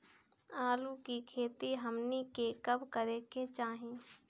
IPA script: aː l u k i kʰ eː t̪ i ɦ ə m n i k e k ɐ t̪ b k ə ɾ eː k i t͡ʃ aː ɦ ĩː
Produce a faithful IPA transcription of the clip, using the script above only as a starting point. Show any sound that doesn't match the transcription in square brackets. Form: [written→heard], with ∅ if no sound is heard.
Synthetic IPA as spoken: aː l u k i kʰ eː t̪ i ɦ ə m n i k e k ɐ [t̪→∅] b k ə ɾ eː k [i→e] t͡ʃ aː ɦ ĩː